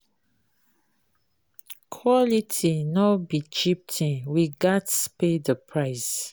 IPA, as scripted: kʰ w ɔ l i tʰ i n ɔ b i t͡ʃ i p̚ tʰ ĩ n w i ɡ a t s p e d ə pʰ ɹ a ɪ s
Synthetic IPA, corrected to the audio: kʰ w ɔ l i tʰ i n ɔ b i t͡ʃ i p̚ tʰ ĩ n w i ɡ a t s p e d ə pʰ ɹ a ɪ s